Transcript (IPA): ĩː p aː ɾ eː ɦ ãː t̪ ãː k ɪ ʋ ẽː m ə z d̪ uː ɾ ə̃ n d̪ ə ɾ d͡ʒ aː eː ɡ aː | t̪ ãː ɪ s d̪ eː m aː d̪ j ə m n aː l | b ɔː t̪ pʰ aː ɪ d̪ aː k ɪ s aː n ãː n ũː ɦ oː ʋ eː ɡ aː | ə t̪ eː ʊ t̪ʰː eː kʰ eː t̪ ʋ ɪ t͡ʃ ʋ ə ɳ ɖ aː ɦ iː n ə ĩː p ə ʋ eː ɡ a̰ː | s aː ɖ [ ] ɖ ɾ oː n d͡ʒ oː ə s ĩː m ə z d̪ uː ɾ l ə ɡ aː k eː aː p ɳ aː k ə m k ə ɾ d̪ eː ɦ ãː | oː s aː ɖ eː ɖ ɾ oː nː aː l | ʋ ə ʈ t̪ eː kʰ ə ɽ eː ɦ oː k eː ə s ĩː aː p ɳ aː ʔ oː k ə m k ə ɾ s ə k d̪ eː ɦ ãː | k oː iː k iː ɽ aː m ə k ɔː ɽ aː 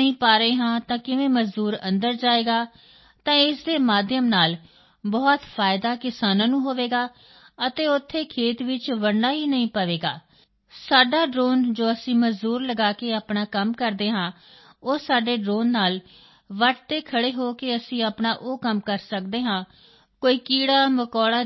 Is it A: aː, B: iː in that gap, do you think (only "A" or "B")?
A